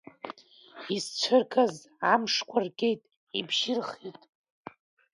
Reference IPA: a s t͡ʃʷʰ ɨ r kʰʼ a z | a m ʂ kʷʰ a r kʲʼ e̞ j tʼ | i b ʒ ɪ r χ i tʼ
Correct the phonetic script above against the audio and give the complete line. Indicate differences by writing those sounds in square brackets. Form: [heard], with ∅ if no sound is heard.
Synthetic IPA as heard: [i] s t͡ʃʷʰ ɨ r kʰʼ a z | a m ʂ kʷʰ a r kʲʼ e̞ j tʼ | i b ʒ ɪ r χ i tʼ